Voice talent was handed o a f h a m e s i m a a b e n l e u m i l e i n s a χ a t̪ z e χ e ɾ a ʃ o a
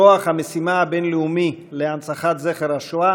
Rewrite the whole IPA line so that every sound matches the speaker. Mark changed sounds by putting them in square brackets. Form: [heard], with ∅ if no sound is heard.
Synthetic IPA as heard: o a [χ] h a m e s i m a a b e n l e u m i l e [a] n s a χ a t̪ z e χ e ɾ a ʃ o a